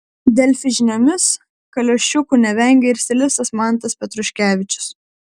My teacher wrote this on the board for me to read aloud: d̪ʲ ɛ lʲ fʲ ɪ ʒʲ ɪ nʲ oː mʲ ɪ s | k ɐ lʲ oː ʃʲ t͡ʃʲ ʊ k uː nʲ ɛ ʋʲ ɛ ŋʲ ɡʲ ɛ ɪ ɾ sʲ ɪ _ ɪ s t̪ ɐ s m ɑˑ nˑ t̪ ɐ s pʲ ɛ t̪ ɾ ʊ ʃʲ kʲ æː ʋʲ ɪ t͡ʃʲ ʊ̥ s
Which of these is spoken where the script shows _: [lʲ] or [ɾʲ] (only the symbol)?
lʲ